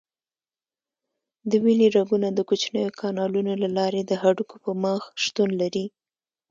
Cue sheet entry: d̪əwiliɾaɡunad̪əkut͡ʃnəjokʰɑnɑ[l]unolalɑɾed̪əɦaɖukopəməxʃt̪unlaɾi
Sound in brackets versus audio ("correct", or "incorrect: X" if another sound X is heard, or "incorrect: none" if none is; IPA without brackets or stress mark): correct